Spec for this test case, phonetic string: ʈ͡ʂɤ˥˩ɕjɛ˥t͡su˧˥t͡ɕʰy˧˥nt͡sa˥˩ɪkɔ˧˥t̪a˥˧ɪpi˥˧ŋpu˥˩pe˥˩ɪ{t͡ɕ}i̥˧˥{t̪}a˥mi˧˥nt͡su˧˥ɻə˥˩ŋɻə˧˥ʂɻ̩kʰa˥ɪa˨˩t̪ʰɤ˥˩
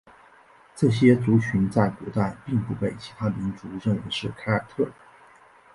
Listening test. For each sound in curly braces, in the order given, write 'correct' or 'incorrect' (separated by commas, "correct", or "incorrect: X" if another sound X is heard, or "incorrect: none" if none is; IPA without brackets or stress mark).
incorrect: t͡ɕʰ, incorrect: t̪ʰ